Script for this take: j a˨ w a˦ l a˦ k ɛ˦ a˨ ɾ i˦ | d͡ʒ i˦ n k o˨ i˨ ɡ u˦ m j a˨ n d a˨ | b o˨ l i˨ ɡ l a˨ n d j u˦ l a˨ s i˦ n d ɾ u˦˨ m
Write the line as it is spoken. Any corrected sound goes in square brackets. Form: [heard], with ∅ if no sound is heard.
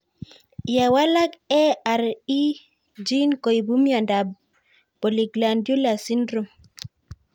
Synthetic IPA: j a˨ w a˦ l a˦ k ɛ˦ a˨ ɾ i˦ | d͡ʒ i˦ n k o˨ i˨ [b] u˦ m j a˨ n d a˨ | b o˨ l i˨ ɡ l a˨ n d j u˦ l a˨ s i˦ n d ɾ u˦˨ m

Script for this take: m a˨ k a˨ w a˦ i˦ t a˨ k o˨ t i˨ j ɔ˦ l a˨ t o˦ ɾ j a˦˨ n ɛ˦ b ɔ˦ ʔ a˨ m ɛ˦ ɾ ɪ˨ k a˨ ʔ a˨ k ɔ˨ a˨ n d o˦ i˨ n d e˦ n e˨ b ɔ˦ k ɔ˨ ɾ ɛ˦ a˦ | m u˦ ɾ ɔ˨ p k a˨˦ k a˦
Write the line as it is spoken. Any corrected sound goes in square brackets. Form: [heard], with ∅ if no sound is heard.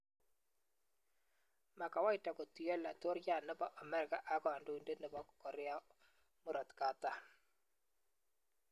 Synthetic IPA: m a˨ k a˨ w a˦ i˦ t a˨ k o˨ t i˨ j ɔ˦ l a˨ t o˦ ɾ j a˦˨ n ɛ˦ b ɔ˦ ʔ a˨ m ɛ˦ ɾ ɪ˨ k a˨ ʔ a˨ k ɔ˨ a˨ n d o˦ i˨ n d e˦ n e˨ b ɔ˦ k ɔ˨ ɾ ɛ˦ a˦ | m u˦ ɾ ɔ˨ [t] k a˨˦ [t] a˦

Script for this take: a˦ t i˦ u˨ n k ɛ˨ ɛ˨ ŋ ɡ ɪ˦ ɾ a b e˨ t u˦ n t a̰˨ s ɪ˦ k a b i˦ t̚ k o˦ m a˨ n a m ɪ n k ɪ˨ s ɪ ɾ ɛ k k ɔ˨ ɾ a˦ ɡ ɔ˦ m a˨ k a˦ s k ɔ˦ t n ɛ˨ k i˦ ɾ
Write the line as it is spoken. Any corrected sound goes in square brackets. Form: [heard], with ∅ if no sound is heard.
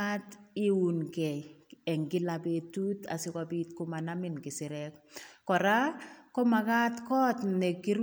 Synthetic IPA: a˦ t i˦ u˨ n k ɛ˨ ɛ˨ ŋ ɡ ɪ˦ [l] a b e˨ t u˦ [∅] t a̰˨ s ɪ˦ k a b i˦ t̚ k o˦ m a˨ n a m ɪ n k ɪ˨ s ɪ ɾ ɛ k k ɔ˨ ɾ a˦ [k] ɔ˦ m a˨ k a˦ [t] k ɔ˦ t n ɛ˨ k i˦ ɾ

